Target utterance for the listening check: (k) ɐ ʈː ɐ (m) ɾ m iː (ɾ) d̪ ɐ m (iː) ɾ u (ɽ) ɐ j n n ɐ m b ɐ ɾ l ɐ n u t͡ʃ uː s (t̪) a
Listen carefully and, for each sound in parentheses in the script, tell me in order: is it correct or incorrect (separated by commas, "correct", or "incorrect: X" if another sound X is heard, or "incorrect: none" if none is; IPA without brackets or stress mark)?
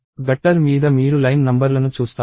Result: incorrect: ɡ, incorrect: none, incorrect: none, correct, incorrect: l, correct